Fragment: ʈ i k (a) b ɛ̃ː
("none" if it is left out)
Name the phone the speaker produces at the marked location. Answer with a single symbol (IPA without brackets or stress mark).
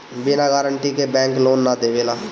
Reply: e